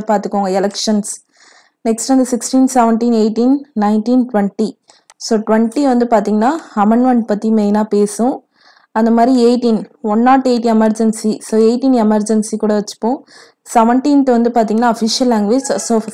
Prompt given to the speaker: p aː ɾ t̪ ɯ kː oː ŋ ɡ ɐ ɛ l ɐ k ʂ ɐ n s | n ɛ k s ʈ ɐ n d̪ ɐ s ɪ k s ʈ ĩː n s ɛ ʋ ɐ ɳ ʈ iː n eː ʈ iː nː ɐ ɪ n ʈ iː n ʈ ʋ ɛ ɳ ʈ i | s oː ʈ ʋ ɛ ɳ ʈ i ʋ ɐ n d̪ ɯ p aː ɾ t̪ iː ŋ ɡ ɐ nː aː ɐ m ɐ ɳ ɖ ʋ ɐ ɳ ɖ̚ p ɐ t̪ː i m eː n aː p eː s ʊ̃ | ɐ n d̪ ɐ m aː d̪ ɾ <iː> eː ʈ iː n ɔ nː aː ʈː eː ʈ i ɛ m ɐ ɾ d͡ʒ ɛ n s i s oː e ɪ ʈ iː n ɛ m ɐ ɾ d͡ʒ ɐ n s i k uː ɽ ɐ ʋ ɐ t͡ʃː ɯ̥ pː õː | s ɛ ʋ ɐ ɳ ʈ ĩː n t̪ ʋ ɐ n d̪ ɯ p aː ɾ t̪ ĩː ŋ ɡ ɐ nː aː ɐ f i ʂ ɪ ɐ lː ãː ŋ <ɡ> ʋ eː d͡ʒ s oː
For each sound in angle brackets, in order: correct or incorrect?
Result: incorrect, correct

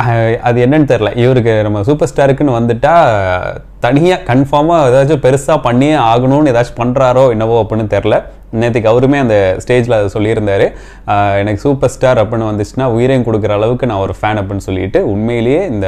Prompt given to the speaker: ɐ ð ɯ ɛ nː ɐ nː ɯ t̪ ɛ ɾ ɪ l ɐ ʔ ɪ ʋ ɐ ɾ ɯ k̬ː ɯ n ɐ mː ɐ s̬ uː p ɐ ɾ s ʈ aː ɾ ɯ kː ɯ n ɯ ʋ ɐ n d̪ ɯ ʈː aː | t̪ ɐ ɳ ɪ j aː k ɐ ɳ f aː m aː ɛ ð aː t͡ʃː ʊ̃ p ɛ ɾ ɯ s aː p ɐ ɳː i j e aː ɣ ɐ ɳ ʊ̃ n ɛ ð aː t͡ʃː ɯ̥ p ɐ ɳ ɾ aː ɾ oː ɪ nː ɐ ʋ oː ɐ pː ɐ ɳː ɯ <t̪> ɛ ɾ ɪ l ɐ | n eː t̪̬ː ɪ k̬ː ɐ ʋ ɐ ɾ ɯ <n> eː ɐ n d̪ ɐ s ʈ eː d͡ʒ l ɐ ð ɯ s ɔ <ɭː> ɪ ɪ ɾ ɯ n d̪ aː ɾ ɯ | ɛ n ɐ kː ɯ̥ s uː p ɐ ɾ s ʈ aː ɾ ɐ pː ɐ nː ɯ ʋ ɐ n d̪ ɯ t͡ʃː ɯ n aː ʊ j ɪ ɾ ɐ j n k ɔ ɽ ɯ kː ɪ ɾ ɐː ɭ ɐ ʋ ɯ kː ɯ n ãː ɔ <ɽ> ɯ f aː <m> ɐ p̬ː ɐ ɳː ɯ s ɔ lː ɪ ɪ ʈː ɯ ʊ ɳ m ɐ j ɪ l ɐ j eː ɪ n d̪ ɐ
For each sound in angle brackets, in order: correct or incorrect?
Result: correct, incorrect, incorrect, incorrect, incorrect

